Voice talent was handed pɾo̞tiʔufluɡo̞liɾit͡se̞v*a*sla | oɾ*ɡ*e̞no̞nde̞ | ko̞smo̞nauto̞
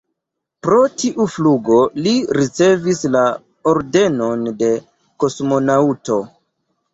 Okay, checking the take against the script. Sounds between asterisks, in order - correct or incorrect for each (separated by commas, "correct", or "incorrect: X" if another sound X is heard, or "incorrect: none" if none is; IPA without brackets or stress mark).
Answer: incorrect: i, incorrect: d